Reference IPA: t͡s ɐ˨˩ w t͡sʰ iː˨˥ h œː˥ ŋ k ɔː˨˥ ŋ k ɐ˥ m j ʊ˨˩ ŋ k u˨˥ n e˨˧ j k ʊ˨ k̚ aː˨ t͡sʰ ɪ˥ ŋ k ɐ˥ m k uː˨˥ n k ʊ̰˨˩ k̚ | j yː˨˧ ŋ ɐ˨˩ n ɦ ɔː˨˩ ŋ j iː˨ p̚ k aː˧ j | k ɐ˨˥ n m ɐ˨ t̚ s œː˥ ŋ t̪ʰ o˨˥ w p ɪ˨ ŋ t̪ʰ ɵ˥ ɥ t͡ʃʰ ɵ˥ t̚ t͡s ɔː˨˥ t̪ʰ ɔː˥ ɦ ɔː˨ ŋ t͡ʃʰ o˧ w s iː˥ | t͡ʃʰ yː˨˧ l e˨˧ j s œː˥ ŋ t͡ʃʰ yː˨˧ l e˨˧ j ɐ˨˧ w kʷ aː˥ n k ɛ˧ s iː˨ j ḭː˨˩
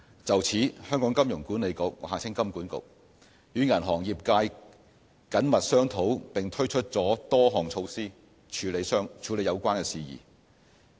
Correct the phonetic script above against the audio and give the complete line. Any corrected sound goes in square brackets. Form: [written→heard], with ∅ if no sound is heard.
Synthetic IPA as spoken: t͡s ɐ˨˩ w t͡sʰ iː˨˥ h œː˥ ŋ k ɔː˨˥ ŋ k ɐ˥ m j ʊ˨˩ ŋ k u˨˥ n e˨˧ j k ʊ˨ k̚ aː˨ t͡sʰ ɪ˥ ŋ k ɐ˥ m k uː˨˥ n k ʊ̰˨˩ k̚ | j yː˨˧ ŋ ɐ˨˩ n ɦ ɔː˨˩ ŋ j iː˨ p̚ k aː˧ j | k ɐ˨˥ n m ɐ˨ t̚ s œː˥ ŋ t̪ʰ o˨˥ w p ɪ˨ ŋ t̪ʰ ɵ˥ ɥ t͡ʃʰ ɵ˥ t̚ t͡s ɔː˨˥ [t̪ʰ→t̪] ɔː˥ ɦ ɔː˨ ŋ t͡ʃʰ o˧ w s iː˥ | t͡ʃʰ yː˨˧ l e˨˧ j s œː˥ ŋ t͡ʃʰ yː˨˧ l e˨˧ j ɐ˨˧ w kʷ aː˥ n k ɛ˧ s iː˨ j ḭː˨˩